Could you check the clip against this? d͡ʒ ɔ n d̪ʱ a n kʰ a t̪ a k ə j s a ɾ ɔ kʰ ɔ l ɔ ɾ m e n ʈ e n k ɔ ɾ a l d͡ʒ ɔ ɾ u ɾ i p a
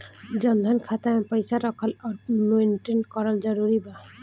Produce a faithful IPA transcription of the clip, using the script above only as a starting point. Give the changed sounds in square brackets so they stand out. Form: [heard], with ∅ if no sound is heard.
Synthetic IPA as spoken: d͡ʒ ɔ n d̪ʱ a n kʰ a t̪ a [p] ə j s a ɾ ɔ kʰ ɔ l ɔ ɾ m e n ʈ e n k ɔ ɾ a l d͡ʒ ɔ ɾ u ɾ i [b] a